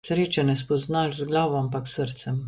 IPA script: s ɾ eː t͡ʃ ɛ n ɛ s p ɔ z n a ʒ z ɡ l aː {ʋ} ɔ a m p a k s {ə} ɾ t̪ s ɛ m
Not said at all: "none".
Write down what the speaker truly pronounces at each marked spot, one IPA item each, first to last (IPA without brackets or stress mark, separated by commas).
ʋ, ə